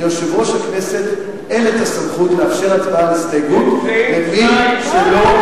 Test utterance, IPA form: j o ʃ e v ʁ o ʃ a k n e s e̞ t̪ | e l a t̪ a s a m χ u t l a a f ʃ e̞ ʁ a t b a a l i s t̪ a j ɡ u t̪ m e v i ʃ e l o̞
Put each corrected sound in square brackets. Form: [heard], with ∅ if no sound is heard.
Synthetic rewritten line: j o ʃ e v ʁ o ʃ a k n e s e̞ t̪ | e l [e] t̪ a s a m χ u t l [e] a f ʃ e̞ ʁ a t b a a l i s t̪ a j ɡ u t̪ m e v i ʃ e l o̞